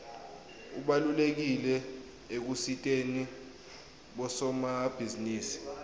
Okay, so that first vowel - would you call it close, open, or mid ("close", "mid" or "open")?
close